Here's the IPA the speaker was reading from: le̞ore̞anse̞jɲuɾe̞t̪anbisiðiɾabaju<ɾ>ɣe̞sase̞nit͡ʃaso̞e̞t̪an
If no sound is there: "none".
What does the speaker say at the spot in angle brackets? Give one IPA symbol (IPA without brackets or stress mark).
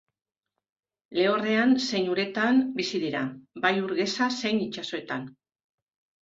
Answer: ɾ